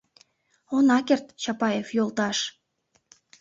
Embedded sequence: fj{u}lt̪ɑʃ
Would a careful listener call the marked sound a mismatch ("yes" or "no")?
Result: yes